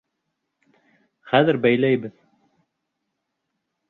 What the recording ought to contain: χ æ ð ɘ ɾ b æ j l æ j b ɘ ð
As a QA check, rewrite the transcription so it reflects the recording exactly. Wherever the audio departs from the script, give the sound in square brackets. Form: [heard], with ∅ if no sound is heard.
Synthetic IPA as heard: χ æ ð ɘ ɾ b æ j l æ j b ɘ ð

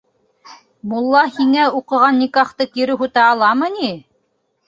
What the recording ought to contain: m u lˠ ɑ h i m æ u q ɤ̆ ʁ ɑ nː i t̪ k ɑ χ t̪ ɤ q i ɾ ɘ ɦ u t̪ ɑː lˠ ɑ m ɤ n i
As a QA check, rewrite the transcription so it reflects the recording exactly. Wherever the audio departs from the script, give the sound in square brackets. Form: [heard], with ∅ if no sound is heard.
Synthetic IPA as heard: m u [lˠː] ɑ h i [ŋ] æ u q ɤ̆ ʁ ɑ nː i [∅] k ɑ χ t̪ ɤ [k] i ɾ ɘ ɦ u t̪ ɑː lˠ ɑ m ɤ n i

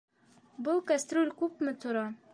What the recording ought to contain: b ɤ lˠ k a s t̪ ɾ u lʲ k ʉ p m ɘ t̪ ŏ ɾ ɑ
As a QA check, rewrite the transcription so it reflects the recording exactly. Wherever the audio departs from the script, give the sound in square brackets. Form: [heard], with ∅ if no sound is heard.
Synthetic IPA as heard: b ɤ lˠ k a s t̪ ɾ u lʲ k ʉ p m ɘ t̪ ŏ ɾ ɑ

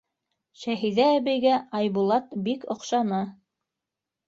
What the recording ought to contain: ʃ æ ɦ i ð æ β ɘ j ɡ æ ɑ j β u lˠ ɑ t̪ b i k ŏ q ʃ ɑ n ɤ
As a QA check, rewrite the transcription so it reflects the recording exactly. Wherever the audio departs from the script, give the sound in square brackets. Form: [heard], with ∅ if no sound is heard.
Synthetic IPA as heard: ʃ æ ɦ i ð [æː] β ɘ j ɡ æ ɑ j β u lˠ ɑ t̪ b i k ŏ q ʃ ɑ n ɤ

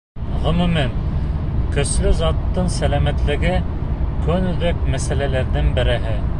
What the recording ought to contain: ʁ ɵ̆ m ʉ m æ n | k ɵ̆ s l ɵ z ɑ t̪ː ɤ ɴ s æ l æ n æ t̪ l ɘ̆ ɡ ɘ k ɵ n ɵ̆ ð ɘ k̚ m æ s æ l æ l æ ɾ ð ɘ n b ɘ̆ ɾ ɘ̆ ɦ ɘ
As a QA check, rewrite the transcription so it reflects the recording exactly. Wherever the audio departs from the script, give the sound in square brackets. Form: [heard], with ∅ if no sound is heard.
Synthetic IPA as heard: ʁ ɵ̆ m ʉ m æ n | k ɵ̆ s l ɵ z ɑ t̪ː ɤ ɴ s æ l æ [m] æ t̪ l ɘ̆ ɡ ɘ k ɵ n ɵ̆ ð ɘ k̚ m æ s æ l æ l æ ɾ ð ɘ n b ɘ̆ ɾ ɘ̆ ɦ ɘ

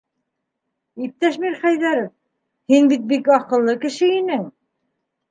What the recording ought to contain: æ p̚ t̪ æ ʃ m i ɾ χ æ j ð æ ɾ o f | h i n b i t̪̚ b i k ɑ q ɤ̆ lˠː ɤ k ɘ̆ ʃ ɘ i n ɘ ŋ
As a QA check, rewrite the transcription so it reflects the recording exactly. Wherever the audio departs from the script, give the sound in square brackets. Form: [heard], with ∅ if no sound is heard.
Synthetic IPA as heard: [i] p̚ t̪ æ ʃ m i ɾ χ æ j ð æ ɾ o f | h i n b i t̪̚ b i k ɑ q ɤ̆ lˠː ɤ k ɘ̆ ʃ ɘ i n ɘ ŋ

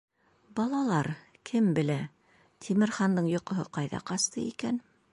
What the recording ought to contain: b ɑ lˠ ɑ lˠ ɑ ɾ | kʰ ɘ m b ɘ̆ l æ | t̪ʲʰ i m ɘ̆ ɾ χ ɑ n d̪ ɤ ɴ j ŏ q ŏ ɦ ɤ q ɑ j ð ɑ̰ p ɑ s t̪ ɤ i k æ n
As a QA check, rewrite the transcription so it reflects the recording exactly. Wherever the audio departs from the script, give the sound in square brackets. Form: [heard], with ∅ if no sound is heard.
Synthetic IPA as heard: b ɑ lˠ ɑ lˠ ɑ ɾ | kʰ ɘ m b ɘ̆ l æ | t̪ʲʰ i m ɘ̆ ɾ χ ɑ n d̪ ɤ ɴ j ŏ q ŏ ɦ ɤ q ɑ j ð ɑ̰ [q] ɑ s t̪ ɤ i k æ n

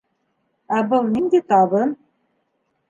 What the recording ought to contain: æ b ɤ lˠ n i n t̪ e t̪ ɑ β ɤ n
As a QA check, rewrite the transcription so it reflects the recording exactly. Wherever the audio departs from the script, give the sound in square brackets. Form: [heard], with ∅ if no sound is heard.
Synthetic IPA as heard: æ b ɤ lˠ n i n [d̪] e t̪ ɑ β ɤ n

